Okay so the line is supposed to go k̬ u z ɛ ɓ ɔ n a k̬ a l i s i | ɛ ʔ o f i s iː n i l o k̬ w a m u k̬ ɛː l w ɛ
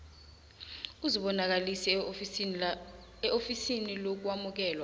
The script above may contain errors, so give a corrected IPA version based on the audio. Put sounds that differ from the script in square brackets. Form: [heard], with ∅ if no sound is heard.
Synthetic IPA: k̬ u z [i] ɓ ɔ n a k̬ a l i s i | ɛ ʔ o f i s [i] n i l o k̬ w a m u k̬ ɛː l w [a]

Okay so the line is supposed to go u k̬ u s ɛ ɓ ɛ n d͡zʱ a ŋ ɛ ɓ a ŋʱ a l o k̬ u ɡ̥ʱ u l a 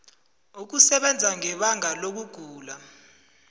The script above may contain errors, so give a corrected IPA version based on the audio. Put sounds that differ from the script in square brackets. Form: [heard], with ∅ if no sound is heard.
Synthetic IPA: u k̬ u s ɛ ɓ ɛ n d͡zʱ a ŋ ɛ ɓ a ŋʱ a l o k̬ u ɡ̥ʱ [uː] l a

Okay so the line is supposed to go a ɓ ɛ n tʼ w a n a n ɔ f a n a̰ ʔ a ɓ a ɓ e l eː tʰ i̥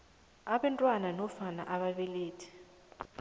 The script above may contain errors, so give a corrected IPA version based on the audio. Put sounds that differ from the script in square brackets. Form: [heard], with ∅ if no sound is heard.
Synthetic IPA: a ɓ ɛ n tʼ w a n a n ɔ f a n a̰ ʔ a ɓ a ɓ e l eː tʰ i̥

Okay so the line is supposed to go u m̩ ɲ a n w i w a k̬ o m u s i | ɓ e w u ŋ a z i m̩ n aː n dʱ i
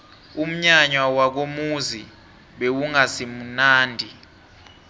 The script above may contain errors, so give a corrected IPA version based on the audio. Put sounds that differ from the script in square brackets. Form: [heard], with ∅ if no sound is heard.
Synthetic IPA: u m̩ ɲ a [ɲ] w [a] w a k̬ o m u [z] i | ɓ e w u ŋ a [s] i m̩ n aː n dʱ i

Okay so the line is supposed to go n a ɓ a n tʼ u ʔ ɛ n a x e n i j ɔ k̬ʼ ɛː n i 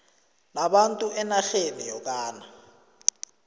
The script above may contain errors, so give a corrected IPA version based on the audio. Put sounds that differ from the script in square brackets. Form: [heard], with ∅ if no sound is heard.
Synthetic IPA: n a ɓ a n tʼ u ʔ ɛ n a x e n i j ɔ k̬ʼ [aː] n [a]

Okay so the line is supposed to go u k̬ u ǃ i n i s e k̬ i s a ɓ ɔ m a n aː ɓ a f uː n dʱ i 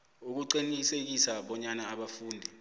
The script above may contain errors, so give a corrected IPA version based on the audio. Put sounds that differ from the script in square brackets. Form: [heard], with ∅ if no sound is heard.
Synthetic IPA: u k̬ u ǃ i n i s e k̬ i s a ɓ ɔ [ɲ] a n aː ɓ a f uː n dʱ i

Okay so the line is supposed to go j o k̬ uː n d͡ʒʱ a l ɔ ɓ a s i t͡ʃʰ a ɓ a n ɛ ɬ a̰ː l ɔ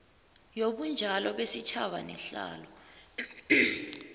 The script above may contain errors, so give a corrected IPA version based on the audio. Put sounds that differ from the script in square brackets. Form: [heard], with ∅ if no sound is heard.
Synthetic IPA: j o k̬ [u] n d͡ʒʱ a l ɔ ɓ [e] s i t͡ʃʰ a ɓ a n ɛ ɬ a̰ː l ɔ

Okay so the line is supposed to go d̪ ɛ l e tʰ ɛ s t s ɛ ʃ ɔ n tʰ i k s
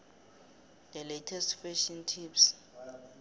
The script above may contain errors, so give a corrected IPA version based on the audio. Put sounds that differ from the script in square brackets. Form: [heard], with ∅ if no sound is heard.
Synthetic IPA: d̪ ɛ l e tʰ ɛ s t [f] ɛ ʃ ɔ n tʰ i [p] s

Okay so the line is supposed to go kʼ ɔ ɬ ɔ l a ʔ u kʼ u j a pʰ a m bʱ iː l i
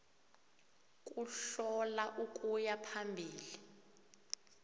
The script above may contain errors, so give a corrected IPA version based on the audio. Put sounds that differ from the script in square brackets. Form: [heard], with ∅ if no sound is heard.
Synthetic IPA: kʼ [u] ɬ ɔ l a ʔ u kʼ u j a pʰ a m bʱ iː l i

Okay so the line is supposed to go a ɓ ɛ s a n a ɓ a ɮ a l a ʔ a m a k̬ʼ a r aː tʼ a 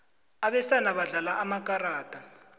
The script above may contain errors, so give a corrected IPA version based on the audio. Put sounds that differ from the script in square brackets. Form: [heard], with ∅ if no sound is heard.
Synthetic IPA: a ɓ ɛ s a n a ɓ a ɮ a l a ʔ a m a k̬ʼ a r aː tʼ a

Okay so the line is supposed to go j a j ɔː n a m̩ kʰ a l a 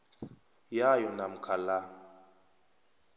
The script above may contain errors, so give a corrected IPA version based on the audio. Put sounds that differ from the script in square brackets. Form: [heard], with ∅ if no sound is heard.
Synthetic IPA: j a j [ɔ] n a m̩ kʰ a l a

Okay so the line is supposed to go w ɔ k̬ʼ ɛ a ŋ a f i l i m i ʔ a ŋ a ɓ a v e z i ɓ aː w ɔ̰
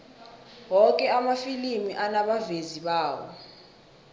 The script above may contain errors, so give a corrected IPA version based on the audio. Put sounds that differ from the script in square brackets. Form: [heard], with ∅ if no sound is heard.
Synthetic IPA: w ɔ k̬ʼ ɛ a [m] a f i l i m i ʔ a [n] a ɓ a v e z i ɓ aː w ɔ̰

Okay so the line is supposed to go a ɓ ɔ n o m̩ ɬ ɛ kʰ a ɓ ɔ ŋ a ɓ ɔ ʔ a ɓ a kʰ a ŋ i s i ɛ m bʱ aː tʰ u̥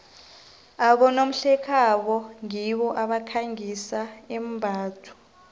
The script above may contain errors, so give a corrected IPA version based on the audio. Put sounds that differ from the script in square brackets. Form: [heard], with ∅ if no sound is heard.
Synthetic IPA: a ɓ ɔ n o m̩ ɬ ɛ kʰ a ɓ ɔ ŋ [i] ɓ ɔ ʔ a ɓ a kʰ a ŋ i s [a] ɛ m bʱ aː tʰ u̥

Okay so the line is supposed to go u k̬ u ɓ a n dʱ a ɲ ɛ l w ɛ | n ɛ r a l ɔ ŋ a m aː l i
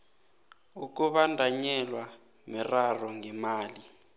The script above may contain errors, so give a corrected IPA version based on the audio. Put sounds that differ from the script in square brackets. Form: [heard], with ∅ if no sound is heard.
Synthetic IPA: u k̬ u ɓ a n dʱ a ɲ ɛ l w [a] | [m] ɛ r a [r] ɔ ŋ [ɛ] m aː l i

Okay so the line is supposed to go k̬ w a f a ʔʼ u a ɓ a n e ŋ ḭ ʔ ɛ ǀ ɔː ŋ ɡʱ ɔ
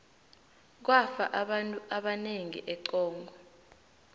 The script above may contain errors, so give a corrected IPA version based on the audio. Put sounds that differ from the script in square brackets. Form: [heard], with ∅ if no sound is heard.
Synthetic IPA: k̬ w a f a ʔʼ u a ɓ a n e ŋ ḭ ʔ ɛ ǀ ɔː ŋ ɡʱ ɔ

